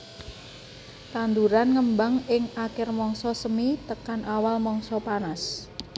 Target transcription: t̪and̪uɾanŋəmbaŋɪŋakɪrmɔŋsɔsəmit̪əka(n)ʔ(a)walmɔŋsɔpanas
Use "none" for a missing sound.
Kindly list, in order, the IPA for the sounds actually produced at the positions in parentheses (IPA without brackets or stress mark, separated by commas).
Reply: n, a